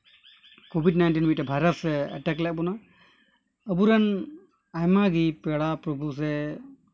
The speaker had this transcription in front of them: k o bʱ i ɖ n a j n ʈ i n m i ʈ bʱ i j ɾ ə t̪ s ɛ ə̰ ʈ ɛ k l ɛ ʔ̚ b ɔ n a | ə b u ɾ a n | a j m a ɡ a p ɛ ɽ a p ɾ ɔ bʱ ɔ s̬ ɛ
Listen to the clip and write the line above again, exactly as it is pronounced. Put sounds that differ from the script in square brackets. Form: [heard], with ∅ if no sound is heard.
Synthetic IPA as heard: k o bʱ i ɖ n a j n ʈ i n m i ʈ bʱ [a] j ɾ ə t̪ s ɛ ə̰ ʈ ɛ k l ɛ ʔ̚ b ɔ n a | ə b u ɾ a n | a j m a ɡ [i] p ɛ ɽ a p ɾ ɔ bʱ [u] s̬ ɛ